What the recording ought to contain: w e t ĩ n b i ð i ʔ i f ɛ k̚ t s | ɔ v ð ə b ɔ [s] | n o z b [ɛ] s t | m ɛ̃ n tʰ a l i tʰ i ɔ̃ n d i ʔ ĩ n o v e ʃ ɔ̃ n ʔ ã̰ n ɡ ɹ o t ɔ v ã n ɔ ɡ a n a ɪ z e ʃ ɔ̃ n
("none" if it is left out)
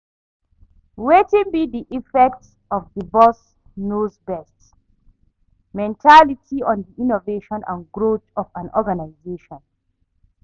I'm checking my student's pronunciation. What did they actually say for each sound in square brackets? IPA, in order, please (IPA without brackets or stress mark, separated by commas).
s, ɛ